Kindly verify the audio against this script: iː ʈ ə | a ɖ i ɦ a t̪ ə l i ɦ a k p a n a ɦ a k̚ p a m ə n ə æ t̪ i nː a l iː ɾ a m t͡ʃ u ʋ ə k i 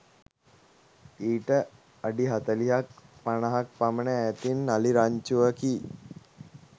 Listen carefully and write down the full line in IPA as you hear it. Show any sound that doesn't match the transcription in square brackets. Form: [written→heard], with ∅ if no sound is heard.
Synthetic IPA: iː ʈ ə | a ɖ i ɦ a t̪ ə l i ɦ a k p a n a ɦ a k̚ p a m ə n ə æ t̪ i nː a l [iː→i] ɾ a [m→ɲ] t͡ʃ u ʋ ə k i